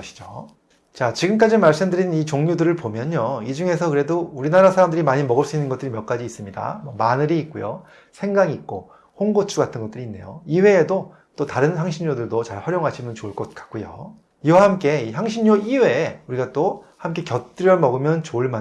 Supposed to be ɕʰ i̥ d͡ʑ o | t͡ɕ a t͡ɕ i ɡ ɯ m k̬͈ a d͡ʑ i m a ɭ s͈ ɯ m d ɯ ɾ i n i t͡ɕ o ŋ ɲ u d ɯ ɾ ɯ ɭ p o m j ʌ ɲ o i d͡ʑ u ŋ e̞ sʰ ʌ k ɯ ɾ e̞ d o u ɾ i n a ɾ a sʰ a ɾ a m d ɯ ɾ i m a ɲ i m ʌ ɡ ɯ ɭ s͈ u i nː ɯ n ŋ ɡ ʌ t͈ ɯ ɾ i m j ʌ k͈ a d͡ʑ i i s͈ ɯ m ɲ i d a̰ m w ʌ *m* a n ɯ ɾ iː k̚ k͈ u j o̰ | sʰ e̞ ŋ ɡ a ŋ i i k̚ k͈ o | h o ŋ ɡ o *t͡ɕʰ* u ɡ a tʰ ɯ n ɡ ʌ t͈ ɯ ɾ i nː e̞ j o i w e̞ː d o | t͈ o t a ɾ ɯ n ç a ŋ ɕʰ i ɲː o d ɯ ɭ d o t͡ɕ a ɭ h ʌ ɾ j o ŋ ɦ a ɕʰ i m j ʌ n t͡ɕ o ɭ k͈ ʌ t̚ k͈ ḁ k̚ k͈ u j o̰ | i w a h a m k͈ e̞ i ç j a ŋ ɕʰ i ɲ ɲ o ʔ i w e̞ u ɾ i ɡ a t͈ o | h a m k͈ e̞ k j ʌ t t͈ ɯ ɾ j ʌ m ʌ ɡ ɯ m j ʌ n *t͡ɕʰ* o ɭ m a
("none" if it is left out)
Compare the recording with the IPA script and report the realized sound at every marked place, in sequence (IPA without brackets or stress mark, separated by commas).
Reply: m, t͡ɕʰ, t͡ɕ